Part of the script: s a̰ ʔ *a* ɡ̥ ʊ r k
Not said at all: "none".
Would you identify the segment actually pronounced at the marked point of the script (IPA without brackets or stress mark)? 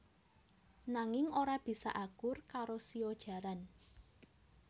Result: a